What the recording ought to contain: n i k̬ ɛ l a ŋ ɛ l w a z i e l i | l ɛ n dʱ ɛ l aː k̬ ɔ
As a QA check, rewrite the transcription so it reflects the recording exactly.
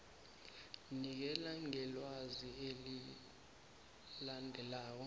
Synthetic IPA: n i k̬ ɛ l a ŋ ɛ l w a z i e l i | l a n dʱ ɛ l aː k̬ ɔ